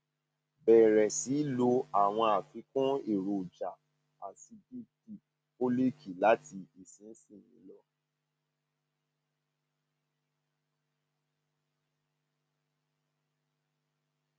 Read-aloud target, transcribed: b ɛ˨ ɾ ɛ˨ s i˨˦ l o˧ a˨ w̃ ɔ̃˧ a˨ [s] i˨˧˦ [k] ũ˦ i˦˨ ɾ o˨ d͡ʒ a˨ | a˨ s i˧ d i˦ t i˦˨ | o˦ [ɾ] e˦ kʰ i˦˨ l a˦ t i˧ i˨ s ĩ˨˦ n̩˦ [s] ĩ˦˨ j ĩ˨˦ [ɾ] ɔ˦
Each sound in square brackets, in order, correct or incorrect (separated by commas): incorrect, correct, incorrect, correct, incorrect